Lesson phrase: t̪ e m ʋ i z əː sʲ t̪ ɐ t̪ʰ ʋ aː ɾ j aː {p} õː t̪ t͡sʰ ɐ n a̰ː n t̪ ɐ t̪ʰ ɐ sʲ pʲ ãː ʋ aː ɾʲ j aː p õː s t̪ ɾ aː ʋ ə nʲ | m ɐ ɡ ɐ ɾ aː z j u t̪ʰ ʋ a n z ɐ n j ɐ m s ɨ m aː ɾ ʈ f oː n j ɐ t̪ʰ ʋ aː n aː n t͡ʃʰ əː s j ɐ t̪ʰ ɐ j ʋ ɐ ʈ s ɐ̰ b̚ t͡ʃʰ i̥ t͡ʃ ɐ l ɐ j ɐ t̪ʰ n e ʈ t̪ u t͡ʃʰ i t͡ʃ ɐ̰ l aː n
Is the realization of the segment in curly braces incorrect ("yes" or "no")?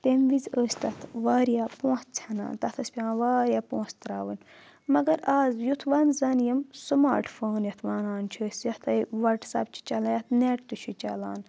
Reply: no